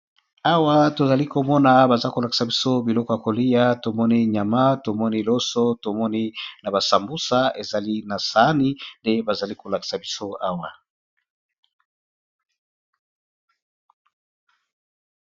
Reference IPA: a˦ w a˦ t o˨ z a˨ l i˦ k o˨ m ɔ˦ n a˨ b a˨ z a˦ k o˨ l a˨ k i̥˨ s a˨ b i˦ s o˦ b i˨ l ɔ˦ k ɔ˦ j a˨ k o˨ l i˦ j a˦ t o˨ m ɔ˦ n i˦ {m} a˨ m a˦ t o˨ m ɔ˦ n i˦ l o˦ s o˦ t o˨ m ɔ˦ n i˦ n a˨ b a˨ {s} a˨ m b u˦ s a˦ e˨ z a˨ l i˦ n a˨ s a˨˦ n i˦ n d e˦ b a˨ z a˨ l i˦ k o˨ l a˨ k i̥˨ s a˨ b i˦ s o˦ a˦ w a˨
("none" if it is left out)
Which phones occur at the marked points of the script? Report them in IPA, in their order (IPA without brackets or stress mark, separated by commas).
ɲ, s